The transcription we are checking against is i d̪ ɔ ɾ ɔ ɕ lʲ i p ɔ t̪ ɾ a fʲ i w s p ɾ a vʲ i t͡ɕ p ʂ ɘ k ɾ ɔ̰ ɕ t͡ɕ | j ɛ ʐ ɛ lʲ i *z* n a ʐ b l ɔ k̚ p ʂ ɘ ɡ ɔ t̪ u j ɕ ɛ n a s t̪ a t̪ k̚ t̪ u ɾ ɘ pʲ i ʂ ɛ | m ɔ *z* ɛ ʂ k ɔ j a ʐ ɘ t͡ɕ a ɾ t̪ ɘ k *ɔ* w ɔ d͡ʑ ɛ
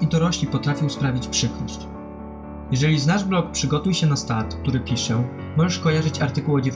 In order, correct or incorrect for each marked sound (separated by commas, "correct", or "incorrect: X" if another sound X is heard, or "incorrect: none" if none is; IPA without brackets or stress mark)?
correct, incorrect: ʐ, incorrect: u